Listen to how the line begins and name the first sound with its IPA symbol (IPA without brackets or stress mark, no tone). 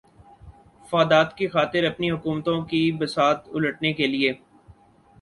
f